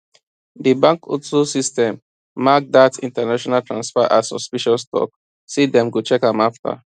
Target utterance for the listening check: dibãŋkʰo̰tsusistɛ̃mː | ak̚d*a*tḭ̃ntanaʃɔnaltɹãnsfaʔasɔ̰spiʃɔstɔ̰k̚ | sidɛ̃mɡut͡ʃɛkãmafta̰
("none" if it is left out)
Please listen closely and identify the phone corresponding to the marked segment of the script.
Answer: a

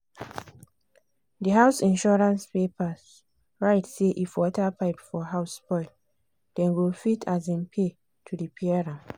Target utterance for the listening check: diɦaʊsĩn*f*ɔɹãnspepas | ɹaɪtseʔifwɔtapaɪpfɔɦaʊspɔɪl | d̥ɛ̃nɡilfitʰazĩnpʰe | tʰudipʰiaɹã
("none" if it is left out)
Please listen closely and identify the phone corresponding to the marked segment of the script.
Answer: ʃ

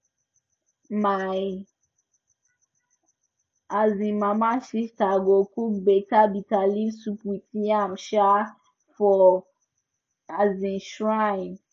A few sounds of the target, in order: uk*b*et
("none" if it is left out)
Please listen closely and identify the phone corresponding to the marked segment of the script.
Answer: b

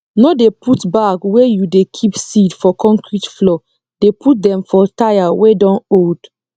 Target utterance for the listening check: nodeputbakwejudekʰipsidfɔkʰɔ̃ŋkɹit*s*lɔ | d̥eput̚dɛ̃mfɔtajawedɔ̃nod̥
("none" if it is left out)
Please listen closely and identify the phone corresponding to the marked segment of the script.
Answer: f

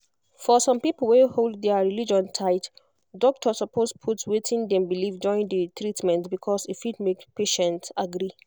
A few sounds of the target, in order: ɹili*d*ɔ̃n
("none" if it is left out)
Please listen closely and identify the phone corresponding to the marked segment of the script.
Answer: d͡ʒ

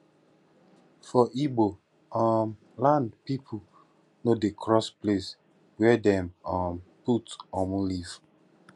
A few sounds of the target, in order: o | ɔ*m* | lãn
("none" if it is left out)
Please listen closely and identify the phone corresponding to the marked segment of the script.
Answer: m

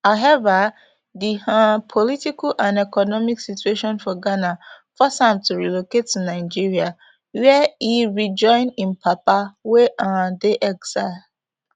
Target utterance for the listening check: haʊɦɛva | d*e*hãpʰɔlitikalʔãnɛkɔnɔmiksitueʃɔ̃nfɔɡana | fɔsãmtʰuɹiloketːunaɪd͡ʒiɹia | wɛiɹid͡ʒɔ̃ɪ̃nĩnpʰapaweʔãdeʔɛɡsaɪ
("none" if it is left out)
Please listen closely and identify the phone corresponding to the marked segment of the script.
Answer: i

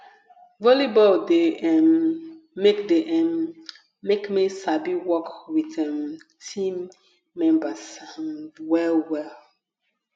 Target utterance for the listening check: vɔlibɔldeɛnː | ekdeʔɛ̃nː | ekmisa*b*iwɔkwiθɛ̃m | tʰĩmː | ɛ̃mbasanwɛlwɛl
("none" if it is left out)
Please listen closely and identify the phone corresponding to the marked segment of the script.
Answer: b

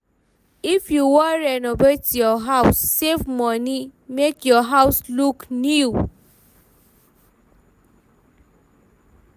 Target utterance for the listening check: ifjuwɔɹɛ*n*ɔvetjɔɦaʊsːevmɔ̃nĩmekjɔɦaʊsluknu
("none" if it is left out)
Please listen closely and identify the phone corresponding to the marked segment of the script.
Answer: n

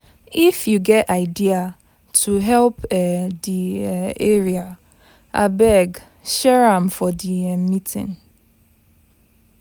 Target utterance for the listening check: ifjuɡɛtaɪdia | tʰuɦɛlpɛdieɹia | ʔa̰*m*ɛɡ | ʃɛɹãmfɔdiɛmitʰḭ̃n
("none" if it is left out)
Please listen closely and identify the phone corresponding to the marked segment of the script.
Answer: b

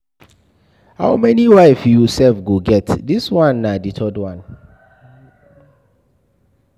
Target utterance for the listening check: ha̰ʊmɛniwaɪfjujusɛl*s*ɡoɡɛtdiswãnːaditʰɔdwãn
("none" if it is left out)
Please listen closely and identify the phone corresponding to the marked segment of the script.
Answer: f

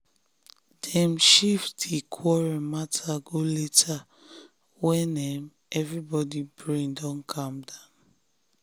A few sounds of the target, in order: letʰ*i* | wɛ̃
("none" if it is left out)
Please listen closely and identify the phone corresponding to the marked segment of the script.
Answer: a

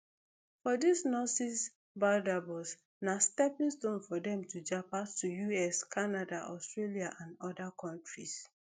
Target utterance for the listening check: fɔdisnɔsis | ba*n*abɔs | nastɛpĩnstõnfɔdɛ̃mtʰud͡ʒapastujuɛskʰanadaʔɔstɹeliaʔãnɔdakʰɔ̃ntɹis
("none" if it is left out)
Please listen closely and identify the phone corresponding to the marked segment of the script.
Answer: d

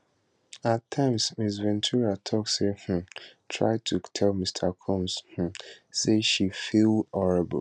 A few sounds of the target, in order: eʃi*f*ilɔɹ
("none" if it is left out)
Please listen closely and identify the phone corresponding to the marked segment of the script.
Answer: f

